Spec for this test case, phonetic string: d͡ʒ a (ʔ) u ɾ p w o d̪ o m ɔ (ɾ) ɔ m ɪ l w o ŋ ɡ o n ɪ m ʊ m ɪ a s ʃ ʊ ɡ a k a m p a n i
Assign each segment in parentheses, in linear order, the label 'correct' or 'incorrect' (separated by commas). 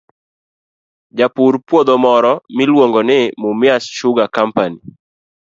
incorrect, correct